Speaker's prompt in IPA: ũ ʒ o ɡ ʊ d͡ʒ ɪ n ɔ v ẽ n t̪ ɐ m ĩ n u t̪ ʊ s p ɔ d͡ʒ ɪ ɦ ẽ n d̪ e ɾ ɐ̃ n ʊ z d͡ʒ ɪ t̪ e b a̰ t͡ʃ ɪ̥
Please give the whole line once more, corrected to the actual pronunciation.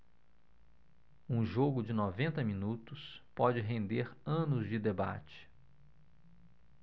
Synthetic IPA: ũ ʒ o ɡ ʊ d͡ʒ ɪ n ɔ v ẽ n t̪ ɐ m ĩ n u t̪ ʊ s p ɔ d͡ʒ ɪ ɦ ẽ n d̪ e ɾ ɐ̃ n ʊ z d͡ʒ ɪ d̪ e b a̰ t͡ʃ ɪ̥

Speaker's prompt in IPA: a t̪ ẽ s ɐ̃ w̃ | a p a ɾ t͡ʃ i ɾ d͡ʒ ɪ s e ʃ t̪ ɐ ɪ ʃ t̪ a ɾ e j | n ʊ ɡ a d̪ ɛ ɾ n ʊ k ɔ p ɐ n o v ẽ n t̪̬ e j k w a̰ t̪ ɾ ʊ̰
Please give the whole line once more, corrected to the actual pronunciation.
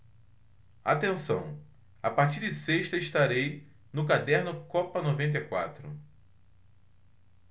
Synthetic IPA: a t̪ ẽ s ɐ̃ w̃ | a p a ɾ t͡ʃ i ɾ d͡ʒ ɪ s e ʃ t̪ ɐ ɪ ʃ t̪ a ɾ e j | n ʊ k a d̪ ɛ ɾ n ʊ k ɔ p ɐ n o v ẽ n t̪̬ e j k w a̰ t̪ ɾ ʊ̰

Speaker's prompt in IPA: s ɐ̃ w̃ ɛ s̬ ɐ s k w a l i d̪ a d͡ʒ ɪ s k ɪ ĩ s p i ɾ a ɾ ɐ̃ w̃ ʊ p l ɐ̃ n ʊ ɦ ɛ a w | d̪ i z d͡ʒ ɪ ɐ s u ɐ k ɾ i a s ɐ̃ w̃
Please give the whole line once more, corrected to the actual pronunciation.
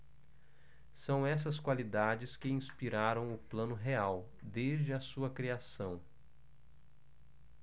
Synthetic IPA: s ɐ̃ w̃ ɛ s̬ ɐ s k w a l i d̪ a d͡ʒ ɪ s k ɪ ĩ s p i ɾ a ɾ ɐ̃ w̃ ʊ p l ɐ̃ n ʊ ɦ e a w | d̪ e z d͡ʒ ɪ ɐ s u ɐ k ɾ i a s ɐ̃ w̃

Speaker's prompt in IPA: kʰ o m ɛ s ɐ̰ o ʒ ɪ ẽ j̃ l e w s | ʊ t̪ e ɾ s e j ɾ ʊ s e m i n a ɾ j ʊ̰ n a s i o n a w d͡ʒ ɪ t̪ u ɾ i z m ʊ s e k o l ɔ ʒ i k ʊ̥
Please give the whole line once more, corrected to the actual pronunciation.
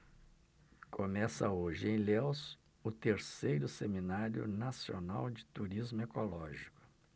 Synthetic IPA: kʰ o m ɛ s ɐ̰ o ʒ ɪ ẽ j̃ l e w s | ʊ t̪ e ɾ s e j ɾ ʊ s e m i n a ɾ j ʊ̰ n a s i o n a w d͡ʒ ɪ t̪ u ɾ i z m ʊ e k o l ɔ ʒ i k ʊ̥

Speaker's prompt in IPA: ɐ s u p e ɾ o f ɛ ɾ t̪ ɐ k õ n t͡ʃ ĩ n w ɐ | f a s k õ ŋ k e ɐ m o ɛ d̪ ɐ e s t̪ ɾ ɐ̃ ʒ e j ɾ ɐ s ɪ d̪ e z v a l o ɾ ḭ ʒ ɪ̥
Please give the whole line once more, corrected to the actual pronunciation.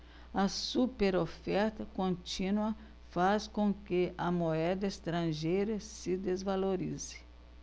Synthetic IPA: ɐ s u p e ɾ o f ɛ ɾ t̪ ɐ k õ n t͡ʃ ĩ n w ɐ | f a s k õ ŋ k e ɐ m o ɛ d̪ ɐ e s t̪ ɾ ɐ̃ ʒ e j ɾ ɐ s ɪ d̪ e z v a l o ɾ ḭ z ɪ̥

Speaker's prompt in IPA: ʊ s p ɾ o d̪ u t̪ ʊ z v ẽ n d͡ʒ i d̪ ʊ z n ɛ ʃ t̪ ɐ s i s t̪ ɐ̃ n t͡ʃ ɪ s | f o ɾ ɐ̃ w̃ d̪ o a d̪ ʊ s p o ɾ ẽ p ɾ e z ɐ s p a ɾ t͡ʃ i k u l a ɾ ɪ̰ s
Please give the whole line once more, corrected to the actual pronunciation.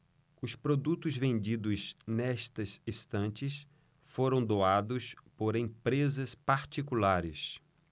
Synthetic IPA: ʊ s p ɾ o d̪ u t̪ ʊ z v ẽ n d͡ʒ i d̪ ʊ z n ɛ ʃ t̪ ɐ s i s t̪ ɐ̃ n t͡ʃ ɪ s | f o ɾ ɐ̃ w̃ d̪ o a d̪ ʊ s p o ɾ ẽ p ɾ e z ɐ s p a ɾ t͡ʃ i k u l a ɾ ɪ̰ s

